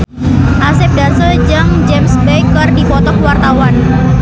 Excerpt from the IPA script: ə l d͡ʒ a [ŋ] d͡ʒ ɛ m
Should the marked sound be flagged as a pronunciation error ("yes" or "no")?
no